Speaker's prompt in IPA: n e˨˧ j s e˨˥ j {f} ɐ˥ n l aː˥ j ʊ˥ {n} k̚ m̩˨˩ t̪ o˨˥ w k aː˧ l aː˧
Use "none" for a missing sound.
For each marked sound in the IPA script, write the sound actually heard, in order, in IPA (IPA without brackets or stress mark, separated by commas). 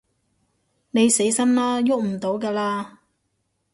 s, none